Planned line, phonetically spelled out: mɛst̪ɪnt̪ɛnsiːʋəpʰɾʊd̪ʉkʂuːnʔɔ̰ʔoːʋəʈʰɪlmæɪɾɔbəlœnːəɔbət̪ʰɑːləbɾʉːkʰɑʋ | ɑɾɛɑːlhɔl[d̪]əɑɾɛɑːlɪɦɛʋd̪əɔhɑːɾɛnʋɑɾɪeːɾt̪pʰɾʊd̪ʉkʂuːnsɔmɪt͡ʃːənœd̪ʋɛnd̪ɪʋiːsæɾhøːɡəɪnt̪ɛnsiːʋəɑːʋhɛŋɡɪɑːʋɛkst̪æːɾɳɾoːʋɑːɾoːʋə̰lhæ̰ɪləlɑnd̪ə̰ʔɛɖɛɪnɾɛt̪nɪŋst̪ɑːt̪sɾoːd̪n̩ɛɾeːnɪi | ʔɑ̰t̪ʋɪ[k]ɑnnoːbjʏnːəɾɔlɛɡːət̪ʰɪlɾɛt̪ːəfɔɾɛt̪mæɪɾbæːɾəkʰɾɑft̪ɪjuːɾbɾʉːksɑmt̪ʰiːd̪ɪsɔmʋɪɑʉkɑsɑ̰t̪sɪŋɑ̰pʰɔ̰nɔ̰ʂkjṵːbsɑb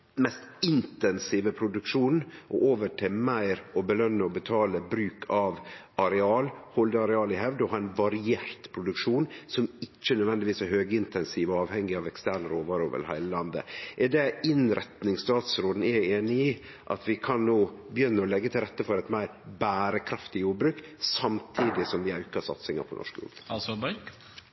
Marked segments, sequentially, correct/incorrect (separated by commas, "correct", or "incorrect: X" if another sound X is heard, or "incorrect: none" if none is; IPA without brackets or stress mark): correct, incorrect: kʰ